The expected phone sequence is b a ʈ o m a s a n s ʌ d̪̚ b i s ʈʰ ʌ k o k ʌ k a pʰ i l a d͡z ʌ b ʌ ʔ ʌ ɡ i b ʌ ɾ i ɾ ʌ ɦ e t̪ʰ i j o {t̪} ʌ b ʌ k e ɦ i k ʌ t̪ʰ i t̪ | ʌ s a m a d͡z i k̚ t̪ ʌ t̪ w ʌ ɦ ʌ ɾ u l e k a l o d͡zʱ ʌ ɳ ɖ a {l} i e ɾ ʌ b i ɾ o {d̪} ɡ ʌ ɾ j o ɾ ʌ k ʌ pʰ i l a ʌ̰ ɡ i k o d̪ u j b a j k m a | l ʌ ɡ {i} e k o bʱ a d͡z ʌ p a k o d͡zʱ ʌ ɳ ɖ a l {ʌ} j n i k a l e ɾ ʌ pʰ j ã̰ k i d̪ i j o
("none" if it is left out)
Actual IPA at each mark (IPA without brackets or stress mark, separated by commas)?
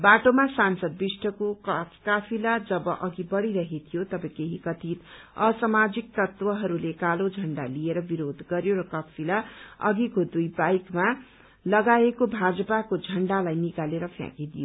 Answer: t̪, l, d̪, a, a